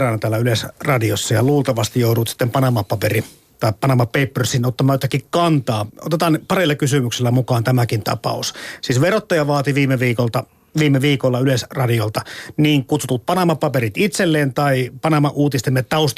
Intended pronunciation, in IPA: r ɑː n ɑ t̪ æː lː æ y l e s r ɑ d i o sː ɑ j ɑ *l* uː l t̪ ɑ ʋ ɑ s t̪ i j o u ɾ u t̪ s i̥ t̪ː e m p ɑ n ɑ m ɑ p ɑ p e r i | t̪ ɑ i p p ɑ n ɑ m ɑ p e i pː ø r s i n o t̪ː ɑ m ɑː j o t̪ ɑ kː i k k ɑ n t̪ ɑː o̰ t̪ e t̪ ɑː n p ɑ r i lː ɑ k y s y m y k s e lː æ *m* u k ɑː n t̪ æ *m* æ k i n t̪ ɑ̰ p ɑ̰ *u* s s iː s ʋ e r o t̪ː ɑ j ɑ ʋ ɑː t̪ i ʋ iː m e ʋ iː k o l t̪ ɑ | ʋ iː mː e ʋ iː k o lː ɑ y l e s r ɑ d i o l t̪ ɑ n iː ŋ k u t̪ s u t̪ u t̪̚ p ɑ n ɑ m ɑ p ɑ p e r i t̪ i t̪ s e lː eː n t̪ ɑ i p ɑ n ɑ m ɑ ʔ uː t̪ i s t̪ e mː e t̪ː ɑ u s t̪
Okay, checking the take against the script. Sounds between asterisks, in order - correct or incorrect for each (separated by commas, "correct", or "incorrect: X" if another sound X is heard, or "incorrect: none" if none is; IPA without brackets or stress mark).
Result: correct, correct, correct, correct